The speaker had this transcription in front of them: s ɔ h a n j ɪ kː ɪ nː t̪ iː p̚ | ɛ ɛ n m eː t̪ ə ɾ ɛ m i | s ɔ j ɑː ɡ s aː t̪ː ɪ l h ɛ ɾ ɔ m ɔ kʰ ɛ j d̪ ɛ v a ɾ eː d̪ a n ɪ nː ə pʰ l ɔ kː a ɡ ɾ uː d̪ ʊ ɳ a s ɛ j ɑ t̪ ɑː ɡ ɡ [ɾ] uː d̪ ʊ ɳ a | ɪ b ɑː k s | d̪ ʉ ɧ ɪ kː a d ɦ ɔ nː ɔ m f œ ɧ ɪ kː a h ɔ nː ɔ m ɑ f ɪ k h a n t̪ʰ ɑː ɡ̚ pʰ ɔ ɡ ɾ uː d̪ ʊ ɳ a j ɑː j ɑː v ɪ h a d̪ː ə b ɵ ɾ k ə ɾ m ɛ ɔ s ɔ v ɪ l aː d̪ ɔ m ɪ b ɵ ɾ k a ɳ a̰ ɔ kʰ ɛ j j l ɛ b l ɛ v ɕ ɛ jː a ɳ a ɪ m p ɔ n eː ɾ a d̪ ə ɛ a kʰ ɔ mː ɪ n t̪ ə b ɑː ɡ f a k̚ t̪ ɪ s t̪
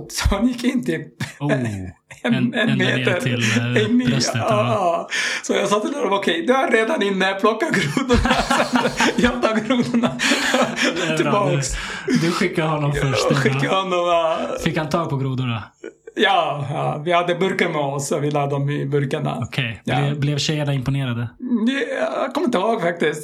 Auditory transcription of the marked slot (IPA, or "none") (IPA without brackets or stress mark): ɾ